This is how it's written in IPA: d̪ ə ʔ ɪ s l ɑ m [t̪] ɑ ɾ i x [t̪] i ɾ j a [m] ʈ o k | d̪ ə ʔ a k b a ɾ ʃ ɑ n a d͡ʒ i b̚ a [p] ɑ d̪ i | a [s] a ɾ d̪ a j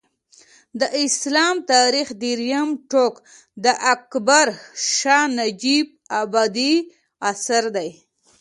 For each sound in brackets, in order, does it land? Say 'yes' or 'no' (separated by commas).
yes, no, yes, no, yes